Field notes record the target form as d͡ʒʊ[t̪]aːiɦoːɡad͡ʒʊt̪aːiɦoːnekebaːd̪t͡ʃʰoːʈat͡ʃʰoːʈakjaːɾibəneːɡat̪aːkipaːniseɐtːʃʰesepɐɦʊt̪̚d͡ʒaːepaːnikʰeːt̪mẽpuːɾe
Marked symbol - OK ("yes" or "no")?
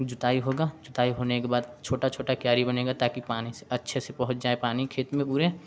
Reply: yes